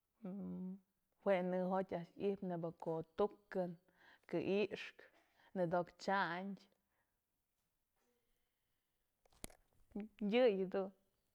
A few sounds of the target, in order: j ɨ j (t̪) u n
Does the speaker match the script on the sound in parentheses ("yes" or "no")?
no